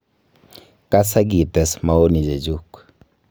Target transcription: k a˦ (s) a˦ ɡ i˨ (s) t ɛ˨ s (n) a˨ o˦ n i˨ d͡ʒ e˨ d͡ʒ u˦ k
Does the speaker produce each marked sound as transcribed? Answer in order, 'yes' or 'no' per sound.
yes, no, no

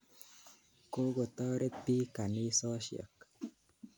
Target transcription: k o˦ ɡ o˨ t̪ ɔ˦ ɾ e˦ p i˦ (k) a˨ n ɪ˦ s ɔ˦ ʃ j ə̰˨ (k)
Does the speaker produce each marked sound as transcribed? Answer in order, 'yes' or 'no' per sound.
yes, yes

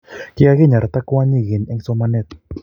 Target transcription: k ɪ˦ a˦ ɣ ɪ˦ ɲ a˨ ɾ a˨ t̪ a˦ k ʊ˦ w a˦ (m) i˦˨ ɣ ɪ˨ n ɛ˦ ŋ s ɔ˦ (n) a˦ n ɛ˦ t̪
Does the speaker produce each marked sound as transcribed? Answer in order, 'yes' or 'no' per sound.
no, no

